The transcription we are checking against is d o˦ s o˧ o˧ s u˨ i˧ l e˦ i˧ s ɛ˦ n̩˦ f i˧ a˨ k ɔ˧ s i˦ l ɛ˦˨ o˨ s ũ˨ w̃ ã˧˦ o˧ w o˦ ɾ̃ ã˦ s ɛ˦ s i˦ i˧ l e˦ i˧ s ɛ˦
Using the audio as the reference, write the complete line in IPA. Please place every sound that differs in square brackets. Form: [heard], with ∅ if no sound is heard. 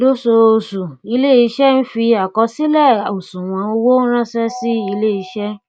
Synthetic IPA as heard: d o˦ s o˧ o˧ s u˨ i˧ l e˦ i˧ [ʃ] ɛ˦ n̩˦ f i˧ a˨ k ɔ˧ s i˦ l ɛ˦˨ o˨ s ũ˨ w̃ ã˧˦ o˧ w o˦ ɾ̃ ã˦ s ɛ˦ s i˦ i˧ l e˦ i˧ [ʃ] ɛ˦